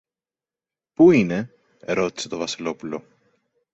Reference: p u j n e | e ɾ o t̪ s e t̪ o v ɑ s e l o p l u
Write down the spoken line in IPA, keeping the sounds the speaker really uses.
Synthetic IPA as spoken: p u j n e | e ɾ o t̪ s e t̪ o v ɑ s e l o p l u